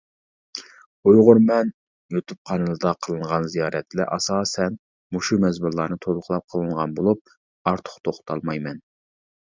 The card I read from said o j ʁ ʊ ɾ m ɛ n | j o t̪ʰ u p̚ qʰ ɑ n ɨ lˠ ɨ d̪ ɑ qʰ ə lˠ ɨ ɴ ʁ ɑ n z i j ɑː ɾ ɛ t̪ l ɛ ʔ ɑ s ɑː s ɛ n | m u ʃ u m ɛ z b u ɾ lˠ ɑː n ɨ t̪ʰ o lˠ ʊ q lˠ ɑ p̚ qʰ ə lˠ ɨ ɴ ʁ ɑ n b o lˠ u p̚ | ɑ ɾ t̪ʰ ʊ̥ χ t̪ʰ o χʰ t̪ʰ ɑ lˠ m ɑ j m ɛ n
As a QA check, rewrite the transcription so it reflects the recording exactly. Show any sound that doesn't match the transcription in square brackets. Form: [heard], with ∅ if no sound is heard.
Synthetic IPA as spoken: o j ʁ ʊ ɾ m ɛ n | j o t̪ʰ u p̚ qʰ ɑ n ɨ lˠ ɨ d̪ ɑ qʰ ə lˠ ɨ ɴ ʁ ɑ n z i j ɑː ɾ ɛ t̪ l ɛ ʔ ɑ s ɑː s ɛ n | m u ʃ u m ɛ z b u ɾ lˠ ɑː n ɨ t̪ʰ o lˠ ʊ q lˠ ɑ p̚ qʰ ə lˠ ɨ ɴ ʁ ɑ n b o lˠ u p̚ | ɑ ɾ t̪ʰ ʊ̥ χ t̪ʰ o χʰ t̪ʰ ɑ lˠ m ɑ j m ɛ n